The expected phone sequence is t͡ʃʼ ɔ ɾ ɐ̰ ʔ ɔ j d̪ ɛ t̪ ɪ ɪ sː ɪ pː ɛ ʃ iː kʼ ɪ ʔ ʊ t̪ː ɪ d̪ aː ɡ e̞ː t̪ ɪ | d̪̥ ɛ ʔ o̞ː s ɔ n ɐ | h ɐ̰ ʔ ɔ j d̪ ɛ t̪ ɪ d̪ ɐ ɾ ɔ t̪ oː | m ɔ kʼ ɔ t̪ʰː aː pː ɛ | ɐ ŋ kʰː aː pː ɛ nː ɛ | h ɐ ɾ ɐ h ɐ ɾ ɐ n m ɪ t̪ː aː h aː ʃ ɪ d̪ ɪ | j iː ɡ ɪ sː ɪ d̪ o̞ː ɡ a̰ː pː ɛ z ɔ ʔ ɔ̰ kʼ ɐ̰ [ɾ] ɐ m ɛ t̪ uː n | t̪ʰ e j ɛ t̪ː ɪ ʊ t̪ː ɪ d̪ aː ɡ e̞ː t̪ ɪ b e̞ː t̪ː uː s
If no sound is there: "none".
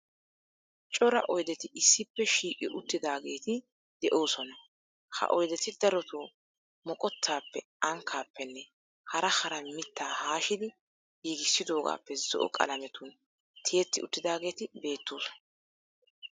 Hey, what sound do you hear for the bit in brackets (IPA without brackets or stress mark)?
l